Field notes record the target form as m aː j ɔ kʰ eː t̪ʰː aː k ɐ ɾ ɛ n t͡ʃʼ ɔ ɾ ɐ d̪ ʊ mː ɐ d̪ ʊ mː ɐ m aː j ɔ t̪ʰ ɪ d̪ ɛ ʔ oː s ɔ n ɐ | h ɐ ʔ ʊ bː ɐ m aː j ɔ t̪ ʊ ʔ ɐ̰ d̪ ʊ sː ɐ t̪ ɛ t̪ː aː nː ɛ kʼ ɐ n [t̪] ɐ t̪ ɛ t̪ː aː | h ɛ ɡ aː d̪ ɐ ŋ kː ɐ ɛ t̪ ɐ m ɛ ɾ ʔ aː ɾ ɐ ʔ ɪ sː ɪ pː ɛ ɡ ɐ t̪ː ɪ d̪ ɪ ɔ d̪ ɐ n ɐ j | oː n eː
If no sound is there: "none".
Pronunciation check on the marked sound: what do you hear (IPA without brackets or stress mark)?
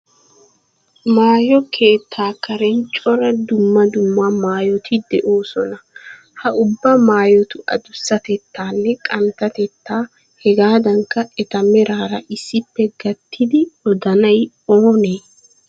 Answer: t̪